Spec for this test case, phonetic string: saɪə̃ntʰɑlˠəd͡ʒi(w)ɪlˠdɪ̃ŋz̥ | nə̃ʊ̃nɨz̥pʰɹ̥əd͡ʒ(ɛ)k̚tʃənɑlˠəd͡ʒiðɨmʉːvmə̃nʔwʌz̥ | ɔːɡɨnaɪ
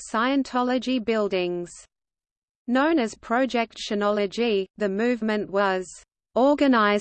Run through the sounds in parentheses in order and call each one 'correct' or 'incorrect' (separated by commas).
incorrect, correct